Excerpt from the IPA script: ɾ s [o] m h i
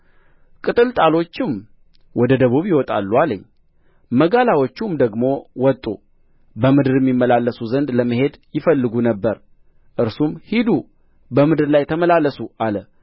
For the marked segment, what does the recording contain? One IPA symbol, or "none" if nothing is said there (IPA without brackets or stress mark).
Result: u